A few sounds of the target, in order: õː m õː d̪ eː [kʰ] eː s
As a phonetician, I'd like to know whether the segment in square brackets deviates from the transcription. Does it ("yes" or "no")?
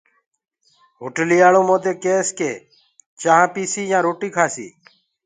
yes